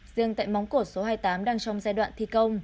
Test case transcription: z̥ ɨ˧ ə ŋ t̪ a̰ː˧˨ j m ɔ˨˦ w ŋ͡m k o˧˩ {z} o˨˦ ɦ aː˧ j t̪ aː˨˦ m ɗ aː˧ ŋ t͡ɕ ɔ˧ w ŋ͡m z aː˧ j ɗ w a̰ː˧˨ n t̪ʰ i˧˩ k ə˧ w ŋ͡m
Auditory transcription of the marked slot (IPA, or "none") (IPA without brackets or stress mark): s